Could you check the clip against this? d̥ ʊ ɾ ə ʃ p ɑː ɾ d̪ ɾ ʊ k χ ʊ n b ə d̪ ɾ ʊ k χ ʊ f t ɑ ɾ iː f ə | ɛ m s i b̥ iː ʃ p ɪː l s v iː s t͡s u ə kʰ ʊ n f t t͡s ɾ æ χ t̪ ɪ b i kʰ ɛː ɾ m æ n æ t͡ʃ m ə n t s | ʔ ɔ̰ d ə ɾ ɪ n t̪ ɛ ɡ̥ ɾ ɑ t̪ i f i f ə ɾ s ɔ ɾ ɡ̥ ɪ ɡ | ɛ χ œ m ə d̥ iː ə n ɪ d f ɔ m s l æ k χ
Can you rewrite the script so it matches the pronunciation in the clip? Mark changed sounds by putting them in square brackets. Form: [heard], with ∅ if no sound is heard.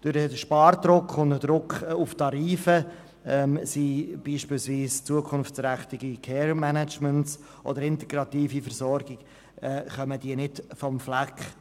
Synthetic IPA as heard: d̥ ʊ ɾ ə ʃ p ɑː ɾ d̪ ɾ ʊ k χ ʊ n [d] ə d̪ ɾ ʊ k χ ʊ f t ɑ ɾ iː f ə | ɛ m s i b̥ iː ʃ p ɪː l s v iː s t͡s u ə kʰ ʊ n f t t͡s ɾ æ χ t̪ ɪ [ɡ] i kʰ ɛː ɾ m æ n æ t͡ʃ m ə n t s | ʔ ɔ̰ d ə ɾ ɪ n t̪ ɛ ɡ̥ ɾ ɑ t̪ [iː] f i f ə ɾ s ɔ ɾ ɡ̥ ɪ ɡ | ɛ χ œ m ə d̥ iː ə n ɪ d f ɔ m [f] l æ k χ

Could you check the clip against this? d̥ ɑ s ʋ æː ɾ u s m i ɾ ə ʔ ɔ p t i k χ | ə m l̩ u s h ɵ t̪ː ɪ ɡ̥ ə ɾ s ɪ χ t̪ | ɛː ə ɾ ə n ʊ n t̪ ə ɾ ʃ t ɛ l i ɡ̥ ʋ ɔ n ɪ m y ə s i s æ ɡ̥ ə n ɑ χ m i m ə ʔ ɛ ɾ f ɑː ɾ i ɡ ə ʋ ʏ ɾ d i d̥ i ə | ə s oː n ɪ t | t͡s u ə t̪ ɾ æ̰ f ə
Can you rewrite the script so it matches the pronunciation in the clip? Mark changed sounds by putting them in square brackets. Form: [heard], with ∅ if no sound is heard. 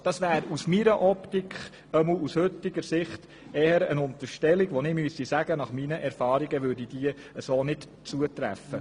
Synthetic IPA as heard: d̥ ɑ s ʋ æː ɾ u s m i ɾ ə ʔ ɔ p t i k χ | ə m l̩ u s h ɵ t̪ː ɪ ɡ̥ ə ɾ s ɪ χ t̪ | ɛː ə ɾ ə n ʊ n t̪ ə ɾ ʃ t ɛ l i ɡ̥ ʋ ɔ n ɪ m y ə s i s æ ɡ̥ ə n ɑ χ m i [n] ə ʔ ɛ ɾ f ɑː ɾ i ɡ ə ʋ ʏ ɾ d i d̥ i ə | ə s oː n ɪ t | t͡s u ə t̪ ɾ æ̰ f ə

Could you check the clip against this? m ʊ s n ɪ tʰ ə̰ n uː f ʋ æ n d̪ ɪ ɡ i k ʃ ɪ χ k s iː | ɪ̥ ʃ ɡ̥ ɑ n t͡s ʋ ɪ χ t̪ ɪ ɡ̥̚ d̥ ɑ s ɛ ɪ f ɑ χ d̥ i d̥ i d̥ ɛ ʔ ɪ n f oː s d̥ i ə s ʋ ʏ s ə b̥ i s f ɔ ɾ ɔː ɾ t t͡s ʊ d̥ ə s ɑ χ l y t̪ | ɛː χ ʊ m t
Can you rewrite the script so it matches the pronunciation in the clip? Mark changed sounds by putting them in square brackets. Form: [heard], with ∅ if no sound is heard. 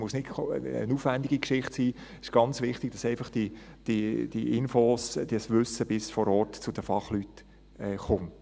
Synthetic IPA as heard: m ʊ s n ɪ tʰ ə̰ n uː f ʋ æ n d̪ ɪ ɡ i k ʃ ɪ χ [t] s iː | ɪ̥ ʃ ɡ̥ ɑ n t͡s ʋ ɪ χ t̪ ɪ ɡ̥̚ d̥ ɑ s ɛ ɪ f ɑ χ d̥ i d̥ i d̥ [i] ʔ ɪ n f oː s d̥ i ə s ʋ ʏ s ə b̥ [ɪ] s f ɔ ɾ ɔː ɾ t t͡s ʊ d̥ ə [f] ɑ χ l y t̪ | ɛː χ ʊ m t

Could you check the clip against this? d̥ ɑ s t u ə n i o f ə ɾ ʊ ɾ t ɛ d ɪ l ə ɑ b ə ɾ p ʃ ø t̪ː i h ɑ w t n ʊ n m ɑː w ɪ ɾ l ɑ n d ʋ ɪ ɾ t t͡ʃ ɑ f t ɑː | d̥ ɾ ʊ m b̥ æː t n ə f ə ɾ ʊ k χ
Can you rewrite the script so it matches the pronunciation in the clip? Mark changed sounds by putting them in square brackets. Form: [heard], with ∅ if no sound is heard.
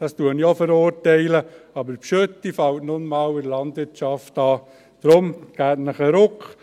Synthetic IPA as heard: d̥ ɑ s t u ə n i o f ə ɾ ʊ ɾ t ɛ [∅] ɪ l ə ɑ b ə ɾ p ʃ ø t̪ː i [f] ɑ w t n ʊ n m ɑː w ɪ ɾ l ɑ n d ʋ ɪ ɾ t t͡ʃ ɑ f t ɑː | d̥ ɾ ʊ m [ɡ̥] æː t n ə [χ] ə ɾ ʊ k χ

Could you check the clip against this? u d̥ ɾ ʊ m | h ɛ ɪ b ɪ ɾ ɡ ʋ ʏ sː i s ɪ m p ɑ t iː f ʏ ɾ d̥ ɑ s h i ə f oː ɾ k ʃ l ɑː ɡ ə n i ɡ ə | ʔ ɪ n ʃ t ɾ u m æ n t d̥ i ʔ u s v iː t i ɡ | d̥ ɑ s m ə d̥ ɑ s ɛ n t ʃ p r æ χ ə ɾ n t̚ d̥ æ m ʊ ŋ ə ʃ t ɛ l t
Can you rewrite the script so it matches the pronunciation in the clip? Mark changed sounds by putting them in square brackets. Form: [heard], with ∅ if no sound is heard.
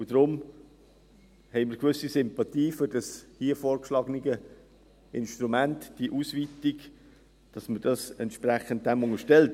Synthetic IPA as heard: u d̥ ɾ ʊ m | h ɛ ɪ [m] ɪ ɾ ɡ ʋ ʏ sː i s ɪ m p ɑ t iː f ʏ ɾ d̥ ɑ s h i ə f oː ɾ k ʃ l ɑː ɡ ə n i ɡ ə | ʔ ɪ n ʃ t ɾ u m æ n t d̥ i ʔ u s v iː t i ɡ | d̥ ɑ s m ə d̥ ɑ s ɛ n t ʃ p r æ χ ə [∅] n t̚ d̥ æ m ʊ ŋ ə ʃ t ɛ l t

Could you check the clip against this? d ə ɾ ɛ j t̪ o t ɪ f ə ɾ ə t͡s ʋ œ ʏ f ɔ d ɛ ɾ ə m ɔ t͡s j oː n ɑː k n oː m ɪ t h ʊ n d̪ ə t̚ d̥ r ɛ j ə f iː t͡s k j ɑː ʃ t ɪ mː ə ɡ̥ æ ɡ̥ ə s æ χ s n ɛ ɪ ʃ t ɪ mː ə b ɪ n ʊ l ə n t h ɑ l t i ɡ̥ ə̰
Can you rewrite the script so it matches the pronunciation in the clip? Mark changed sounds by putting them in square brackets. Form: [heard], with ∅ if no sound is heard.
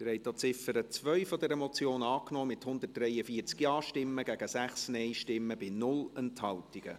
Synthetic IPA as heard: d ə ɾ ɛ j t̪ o [t͡s] ɪ f ə ɾ ə t͡s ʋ œ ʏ f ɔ d ɛ ɾ ə m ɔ t͡s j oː n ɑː k n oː m ɪ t h ʊ n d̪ ə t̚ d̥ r ɛ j ə f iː t͡s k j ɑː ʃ t ɪ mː ə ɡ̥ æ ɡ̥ ə s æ χ s n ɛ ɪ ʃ t ɪ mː ə b ɪ n ʊ l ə n t h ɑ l t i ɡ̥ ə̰

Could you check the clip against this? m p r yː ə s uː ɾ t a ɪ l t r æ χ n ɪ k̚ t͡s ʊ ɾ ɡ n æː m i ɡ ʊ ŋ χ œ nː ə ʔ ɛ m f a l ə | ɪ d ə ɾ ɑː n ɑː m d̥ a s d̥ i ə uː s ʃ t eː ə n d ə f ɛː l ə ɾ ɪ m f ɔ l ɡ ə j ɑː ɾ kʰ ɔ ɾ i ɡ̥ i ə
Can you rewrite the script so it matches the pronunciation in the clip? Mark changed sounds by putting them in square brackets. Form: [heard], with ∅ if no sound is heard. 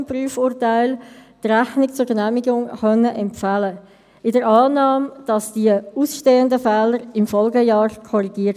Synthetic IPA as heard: m p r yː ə [f] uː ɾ t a ɪ l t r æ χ n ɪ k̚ t͡s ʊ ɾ ɡ n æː m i ɡ ʊ ŋ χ œ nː ə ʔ ɛ m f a l ə | ɪ d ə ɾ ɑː n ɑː m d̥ [ɑ] s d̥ i ə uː s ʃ t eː ə n d ə f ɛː l ə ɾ ɪ m f ɔ l ɡ ə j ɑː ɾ kʰ ɔ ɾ i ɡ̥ i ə

